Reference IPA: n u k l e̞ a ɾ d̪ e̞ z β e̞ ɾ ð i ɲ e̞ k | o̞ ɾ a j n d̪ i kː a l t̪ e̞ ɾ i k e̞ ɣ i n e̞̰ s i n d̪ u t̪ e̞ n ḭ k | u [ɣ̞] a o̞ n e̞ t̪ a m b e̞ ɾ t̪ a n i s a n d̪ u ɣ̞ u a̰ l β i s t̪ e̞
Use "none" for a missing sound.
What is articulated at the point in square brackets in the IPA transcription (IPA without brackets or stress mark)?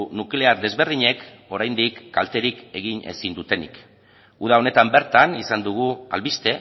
ð̞